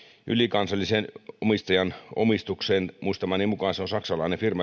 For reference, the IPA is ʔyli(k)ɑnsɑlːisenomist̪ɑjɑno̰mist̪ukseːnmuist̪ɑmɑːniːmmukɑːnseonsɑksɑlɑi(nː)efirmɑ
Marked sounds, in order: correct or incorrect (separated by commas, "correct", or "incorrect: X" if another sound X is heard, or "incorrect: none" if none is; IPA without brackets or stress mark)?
correct, incorrect: n